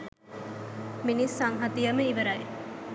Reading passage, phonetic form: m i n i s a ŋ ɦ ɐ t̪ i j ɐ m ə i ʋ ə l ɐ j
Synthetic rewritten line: m i n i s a ŋ ɦ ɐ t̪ i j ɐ m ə i ʋ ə ɾ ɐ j